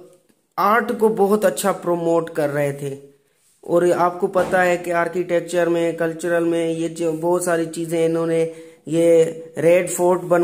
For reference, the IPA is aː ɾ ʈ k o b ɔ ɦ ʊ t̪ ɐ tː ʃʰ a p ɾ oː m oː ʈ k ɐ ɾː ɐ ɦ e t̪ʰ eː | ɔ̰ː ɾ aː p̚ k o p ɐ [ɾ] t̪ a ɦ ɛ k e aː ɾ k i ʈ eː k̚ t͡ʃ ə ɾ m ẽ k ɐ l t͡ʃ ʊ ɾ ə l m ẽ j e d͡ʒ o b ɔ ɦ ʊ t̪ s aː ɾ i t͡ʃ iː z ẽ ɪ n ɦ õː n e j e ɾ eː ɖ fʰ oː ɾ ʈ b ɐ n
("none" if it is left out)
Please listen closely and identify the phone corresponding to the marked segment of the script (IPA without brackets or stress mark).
none